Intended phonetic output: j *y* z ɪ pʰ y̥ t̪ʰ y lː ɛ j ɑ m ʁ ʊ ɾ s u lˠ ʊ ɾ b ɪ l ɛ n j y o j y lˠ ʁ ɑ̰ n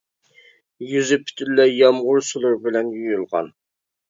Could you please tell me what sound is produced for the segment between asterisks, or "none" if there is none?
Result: y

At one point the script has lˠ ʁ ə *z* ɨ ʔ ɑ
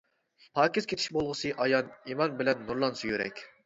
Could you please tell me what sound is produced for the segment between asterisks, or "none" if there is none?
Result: s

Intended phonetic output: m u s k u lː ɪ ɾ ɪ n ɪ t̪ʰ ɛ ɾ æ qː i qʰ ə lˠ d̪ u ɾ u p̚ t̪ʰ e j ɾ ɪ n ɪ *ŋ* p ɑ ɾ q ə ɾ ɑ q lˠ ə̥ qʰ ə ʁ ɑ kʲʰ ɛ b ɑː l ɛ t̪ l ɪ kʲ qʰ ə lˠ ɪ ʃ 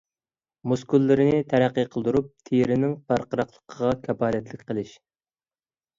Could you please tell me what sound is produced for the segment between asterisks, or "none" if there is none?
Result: ŋ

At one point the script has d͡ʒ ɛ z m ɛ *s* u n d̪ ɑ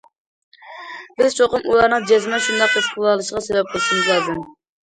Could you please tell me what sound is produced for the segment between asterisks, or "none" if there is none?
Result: ʃ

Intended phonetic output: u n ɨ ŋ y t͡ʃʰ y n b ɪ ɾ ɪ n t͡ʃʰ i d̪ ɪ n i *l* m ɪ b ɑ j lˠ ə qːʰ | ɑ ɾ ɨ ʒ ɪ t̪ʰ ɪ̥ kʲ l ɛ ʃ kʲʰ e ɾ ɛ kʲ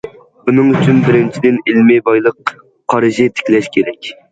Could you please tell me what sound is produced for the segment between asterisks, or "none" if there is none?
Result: l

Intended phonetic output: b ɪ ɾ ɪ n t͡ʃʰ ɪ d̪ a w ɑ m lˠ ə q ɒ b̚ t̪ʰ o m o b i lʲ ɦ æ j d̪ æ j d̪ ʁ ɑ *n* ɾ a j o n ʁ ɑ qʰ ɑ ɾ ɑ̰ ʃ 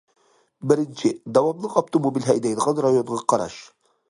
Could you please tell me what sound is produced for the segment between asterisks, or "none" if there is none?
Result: n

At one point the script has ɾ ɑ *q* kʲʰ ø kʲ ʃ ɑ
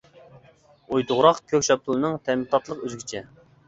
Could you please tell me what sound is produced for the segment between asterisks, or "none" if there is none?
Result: q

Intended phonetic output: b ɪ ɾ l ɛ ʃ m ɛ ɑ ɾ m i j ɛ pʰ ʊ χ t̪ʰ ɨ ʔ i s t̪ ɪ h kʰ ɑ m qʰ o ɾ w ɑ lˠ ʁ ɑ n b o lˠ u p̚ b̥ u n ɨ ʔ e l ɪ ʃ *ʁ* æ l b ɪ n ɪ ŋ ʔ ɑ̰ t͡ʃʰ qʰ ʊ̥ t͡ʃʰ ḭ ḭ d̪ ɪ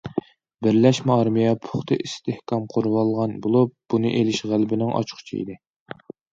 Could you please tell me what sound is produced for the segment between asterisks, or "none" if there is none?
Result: ʁ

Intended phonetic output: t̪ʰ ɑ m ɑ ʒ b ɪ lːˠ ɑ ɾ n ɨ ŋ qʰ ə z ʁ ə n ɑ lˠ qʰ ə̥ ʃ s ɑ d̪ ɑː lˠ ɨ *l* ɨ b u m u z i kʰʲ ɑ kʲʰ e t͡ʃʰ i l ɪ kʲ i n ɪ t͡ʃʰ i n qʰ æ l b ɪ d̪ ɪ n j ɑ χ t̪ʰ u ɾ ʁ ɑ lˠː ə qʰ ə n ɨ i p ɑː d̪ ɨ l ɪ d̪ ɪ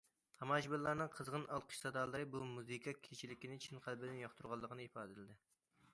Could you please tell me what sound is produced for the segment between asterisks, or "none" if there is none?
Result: ɾ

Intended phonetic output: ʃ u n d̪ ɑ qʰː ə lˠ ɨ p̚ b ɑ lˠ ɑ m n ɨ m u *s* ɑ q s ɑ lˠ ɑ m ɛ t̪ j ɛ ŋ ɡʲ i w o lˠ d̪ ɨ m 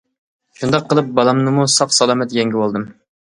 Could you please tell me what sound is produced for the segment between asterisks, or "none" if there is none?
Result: s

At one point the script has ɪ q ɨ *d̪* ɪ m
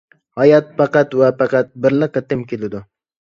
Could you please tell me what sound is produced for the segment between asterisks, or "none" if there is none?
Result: t̪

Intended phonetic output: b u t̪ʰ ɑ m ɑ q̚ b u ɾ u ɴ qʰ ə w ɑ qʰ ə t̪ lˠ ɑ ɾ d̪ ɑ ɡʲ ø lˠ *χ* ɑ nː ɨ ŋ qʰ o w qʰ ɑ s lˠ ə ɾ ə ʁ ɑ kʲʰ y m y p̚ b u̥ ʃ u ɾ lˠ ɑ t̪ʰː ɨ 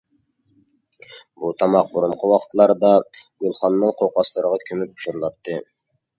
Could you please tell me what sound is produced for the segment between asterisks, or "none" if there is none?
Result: χ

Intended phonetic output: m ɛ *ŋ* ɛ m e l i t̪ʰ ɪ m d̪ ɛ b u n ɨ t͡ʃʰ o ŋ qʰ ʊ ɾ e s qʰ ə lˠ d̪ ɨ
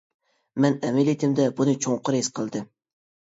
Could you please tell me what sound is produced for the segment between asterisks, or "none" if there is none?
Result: n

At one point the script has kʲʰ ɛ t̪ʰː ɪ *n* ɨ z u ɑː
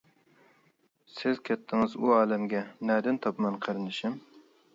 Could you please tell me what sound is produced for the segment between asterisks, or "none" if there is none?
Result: ŋ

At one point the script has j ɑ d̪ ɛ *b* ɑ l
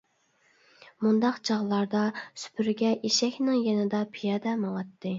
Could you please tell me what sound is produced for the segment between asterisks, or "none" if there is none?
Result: m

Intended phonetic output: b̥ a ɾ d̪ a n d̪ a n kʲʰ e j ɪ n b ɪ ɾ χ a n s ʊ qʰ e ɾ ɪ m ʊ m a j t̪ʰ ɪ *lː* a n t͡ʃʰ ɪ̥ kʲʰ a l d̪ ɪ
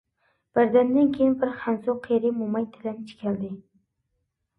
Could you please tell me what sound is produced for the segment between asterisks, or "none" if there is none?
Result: l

